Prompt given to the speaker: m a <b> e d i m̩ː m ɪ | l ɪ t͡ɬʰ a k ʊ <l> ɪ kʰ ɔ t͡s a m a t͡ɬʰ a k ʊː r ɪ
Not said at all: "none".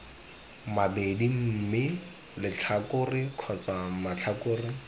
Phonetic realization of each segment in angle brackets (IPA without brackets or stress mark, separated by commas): b, r